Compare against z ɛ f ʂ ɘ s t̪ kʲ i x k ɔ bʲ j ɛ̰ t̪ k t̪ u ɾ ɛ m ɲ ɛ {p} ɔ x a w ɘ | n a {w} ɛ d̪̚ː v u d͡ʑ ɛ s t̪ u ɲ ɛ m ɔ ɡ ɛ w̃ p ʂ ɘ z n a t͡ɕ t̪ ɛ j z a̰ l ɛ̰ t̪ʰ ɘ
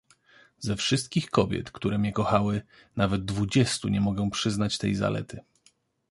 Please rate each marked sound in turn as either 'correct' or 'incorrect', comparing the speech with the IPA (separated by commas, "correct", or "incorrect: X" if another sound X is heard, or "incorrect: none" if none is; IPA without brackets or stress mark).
incorrect: k, incorrect: v